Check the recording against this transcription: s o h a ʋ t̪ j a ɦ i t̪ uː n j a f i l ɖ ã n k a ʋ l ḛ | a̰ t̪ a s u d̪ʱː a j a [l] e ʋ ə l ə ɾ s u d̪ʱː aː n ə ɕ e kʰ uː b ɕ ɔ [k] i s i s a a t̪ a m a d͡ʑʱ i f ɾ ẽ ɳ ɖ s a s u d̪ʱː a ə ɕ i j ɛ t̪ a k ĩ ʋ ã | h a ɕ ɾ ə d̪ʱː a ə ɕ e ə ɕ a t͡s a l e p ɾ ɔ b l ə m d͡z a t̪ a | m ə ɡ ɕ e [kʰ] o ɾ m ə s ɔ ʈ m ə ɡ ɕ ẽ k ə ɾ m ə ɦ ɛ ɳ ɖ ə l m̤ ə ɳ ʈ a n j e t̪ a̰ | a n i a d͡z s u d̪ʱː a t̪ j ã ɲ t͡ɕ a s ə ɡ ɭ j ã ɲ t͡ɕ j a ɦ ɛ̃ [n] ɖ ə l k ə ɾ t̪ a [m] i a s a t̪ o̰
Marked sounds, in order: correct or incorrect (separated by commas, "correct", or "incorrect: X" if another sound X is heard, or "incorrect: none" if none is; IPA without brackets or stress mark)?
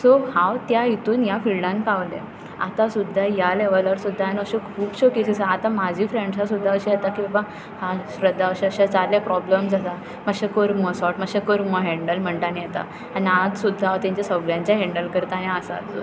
correct, correct, incorrect: k, incorrect: ɳ, incorrect: n